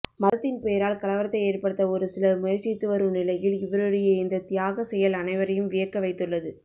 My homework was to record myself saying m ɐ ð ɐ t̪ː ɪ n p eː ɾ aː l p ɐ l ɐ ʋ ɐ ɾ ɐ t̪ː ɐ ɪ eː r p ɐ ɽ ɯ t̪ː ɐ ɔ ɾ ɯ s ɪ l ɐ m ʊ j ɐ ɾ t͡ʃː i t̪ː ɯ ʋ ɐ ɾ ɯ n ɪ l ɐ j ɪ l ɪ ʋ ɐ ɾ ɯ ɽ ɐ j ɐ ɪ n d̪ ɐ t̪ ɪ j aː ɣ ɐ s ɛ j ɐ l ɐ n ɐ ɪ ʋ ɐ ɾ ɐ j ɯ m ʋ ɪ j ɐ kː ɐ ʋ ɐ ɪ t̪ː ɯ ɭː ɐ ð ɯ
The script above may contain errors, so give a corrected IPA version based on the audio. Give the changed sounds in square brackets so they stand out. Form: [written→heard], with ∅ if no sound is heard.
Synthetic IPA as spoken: m ɐ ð ɐ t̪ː ɪ n p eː ɾ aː l [p→k] ɐ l ɐ ʋ ɐ ɾ ɐ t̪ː ɐ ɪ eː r p ɐ ɽ ɯ t̪ː ɐ ɔ ɾ ɯ s ɪ l ɐ m ʊ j ɐ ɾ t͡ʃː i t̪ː ɯ ʋ ɐ ɾ ɯ n ɪ l ɐ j ɪ l ɪ ʋ ɐ ɾ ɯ ɽ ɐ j ɐ ɪ n d̪ ɐ t̪ ɪ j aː ɣ ɐ s ɛ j ɐ l ɐ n ɐ ɪ ʋ ɐ ɾ ɐ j ɯ m ʋ ɪ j ɐ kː ɐ ʋ ɐ ɪ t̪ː ɯ ɭː ɐ ð ɯ